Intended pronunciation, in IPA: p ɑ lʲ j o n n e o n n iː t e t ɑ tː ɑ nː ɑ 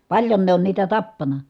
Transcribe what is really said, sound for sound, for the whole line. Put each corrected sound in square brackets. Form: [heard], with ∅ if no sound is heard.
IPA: p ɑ lʲ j o n n e o n n iː t [æ] t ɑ [pː] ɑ [n] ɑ